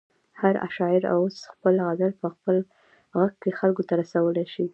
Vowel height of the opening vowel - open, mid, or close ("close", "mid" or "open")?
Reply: open